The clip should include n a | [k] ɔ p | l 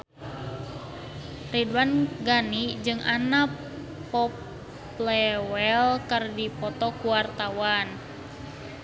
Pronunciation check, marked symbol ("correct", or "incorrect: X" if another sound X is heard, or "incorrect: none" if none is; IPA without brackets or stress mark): incorrect: p